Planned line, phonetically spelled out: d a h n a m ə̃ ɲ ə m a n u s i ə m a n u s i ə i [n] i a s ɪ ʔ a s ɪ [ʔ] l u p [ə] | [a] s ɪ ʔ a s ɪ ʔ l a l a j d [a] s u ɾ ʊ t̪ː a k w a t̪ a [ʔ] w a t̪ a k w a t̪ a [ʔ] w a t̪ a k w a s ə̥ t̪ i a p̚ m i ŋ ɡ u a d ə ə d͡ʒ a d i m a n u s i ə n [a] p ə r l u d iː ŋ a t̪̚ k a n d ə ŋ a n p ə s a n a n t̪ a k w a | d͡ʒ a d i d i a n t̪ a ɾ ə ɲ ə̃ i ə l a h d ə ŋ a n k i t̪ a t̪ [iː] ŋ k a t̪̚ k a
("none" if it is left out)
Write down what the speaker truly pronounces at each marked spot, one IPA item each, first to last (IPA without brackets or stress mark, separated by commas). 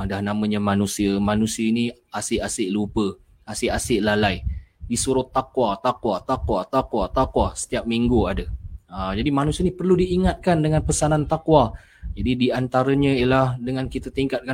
n, ʔ, ə, a, i, k, k, i, i